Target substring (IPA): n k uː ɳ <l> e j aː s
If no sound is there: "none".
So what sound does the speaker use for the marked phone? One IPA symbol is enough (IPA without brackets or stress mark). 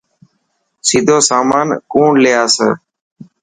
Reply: l